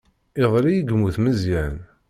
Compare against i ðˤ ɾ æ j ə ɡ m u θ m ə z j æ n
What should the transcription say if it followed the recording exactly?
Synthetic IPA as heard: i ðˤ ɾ i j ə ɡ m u θ m ə z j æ n